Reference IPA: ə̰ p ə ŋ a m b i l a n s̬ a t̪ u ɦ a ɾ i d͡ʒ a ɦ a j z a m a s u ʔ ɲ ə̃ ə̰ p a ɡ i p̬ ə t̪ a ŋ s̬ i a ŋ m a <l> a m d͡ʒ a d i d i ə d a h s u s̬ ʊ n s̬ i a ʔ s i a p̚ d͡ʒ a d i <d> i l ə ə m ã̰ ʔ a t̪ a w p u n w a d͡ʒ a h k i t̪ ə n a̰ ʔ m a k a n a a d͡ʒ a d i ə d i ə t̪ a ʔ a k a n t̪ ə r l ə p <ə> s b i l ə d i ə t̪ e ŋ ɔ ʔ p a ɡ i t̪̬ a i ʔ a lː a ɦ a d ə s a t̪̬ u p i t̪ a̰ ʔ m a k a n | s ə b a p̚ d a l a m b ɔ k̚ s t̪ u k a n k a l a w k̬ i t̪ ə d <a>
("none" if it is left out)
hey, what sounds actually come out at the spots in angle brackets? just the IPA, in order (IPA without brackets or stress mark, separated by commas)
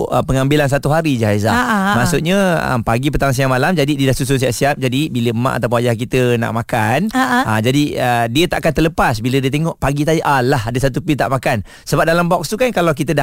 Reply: l, b, a, a